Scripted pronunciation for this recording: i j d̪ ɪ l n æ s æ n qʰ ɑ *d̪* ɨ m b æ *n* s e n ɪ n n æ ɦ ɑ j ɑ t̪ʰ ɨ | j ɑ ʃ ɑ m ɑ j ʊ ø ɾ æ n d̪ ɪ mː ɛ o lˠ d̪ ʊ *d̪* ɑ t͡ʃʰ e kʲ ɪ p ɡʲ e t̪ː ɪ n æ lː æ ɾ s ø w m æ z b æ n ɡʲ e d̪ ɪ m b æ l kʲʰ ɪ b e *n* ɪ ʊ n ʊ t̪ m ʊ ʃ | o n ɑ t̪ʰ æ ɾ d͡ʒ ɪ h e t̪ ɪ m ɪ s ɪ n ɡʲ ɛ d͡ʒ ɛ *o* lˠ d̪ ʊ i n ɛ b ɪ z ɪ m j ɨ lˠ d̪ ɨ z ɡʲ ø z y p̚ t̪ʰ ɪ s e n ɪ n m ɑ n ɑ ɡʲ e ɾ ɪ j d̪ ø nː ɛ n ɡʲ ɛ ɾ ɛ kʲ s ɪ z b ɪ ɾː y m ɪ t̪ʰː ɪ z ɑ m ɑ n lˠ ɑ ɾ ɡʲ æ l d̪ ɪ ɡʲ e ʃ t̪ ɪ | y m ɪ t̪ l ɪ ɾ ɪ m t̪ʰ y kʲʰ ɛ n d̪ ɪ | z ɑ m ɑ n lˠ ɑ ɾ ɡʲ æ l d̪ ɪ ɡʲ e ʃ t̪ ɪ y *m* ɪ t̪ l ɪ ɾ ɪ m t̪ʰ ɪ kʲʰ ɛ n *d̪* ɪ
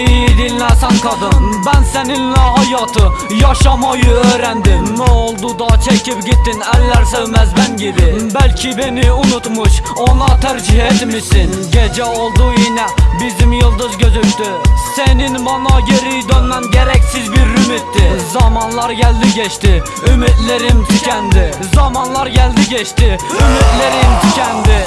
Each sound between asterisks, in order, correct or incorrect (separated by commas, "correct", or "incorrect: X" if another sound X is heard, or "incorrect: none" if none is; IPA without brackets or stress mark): correct, correct, correct, correct, correct, correct, correct